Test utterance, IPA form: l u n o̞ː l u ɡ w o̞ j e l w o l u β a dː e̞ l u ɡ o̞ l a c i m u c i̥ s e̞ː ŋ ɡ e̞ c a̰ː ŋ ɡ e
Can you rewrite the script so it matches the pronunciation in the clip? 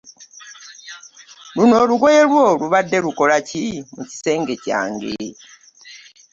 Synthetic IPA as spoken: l u n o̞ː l u ɡ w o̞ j e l w o l u β a dː e̞ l u k o̞ l a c i m u c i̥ s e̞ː ŋ ɡ e̞ c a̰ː ŋ ɡ e